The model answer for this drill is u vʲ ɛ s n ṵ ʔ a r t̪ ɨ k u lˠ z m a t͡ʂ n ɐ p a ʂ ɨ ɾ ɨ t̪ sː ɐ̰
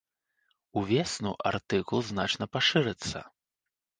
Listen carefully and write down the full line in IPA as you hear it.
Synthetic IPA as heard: u vʲ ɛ s n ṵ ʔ a r t̪ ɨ k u lˠ z n a t͡ʂ n ɐ p a ʂ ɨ ɾ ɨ t̪ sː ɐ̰